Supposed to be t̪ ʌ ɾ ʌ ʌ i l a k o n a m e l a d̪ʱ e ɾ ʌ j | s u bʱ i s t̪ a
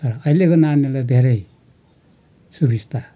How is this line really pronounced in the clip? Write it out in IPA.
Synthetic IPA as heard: t̪ ʌ ɾ ʌ ʌ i l e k o n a n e l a d̪ʱ e ɾ ʌ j | s u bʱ i s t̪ a